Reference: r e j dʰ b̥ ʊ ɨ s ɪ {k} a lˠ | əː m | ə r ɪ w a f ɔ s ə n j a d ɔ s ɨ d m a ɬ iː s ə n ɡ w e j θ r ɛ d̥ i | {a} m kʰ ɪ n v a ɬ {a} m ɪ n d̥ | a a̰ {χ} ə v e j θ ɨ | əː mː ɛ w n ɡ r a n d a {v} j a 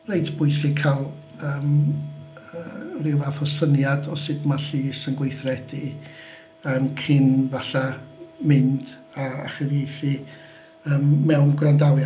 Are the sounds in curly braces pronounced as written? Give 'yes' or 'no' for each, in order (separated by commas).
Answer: no, no, yes, yes, no